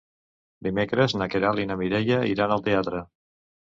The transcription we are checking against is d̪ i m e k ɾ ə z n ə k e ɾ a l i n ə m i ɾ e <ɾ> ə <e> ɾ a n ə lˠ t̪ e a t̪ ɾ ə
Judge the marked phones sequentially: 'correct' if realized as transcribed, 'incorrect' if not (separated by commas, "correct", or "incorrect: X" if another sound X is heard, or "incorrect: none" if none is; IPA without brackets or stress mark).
incorrect: ʎ, incorrect: i